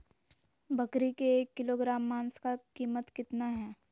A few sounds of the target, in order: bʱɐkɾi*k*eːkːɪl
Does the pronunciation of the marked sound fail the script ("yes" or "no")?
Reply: no